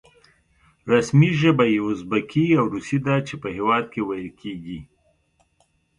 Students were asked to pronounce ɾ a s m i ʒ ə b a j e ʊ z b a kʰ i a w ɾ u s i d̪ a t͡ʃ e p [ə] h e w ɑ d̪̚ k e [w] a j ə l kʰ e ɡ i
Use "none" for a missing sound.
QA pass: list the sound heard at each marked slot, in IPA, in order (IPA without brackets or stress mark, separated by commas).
ə, w